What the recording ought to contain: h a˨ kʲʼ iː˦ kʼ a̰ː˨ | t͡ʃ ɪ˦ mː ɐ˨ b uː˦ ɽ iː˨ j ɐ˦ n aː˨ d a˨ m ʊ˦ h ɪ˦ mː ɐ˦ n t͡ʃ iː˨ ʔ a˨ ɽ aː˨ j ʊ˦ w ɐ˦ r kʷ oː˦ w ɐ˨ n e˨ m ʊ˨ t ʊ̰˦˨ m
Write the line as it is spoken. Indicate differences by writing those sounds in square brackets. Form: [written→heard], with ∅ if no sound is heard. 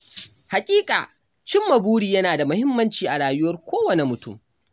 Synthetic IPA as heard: h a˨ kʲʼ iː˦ kʼ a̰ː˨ | t͡ʃ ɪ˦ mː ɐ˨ b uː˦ ɽ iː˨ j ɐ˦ n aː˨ d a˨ m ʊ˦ h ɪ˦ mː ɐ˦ n t͡ʃ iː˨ ʔ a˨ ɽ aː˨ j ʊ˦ w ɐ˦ r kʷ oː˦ w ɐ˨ n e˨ m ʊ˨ t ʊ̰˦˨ m